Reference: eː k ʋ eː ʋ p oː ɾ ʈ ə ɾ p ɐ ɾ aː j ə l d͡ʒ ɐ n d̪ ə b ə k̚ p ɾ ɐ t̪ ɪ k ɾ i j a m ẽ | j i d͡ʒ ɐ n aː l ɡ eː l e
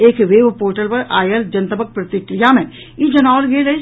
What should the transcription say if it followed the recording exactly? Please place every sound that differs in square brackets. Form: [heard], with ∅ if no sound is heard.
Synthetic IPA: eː k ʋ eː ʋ p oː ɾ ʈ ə [l] p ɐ ɾ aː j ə l d͡ʒ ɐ n [t̪] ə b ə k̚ p ɾ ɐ t̪ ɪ k ɾ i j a m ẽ | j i d͡ʒ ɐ n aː l ɡ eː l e